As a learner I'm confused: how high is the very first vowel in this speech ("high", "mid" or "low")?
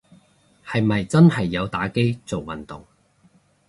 low